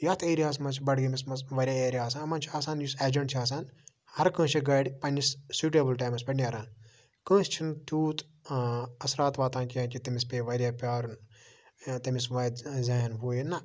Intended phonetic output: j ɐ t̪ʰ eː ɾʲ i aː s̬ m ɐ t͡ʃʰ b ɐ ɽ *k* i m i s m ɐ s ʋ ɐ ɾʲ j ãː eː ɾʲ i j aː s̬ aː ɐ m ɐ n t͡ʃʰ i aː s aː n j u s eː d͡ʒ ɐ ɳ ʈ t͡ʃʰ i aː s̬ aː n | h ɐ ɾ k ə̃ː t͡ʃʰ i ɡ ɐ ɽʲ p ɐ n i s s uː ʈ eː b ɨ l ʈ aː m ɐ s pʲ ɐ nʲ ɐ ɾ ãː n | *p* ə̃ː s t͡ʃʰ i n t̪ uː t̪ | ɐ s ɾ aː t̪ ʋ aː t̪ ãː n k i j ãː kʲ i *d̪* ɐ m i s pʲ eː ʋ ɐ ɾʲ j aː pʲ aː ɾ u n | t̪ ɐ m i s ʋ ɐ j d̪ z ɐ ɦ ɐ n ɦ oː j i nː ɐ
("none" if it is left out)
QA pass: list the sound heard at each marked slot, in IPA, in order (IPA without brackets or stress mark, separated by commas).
ɡ, k, t̪